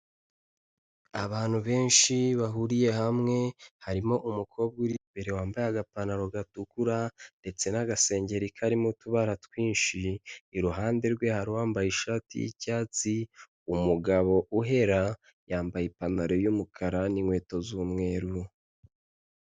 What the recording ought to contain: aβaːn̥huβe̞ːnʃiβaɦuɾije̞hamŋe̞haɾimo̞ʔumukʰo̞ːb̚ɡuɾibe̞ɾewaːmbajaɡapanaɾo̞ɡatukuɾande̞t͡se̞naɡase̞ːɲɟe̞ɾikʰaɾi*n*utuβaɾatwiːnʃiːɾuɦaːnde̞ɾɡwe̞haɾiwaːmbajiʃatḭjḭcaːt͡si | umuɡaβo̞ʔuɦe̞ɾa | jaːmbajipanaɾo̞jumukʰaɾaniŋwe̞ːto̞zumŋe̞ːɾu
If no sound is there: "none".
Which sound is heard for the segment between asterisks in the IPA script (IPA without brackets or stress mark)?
m